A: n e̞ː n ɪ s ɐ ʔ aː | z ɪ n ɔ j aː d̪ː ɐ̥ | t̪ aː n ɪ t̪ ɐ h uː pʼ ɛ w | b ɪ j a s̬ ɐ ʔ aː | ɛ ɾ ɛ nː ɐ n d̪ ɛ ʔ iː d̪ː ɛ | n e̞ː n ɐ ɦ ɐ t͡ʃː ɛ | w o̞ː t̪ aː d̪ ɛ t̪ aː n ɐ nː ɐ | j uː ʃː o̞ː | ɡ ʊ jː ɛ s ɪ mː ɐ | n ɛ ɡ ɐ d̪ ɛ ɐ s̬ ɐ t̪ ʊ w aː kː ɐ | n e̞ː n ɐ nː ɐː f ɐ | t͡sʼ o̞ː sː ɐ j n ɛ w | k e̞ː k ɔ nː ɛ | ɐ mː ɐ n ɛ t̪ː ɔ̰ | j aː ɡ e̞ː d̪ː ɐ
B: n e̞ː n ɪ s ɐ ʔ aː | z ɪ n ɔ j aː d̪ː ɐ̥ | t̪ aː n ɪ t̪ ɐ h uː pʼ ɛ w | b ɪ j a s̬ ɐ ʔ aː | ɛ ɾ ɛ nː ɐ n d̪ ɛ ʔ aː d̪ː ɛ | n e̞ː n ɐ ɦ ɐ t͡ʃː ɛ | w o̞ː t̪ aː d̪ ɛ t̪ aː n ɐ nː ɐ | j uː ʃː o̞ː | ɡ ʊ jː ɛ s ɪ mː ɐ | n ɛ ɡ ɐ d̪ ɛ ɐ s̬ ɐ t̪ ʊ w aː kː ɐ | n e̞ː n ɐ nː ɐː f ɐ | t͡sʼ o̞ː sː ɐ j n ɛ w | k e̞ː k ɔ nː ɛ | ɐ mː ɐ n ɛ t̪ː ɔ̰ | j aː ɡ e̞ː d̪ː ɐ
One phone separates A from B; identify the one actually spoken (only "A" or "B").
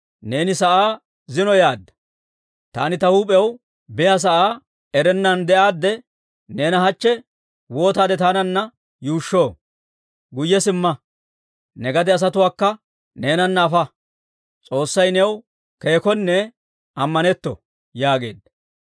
B